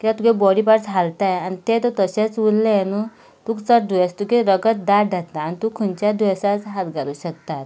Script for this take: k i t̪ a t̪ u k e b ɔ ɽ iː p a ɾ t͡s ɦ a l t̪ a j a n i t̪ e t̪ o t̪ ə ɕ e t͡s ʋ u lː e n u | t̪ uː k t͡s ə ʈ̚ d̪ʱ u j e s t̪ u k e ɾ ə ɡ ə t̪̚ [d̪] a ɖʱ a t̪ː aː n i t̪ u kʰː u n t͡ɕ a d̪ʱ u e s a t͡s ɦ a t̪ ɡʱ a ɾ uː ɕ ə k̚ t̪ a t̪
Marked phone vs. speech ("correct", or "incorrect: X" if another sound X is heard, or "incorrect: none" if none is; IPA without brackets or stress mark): correct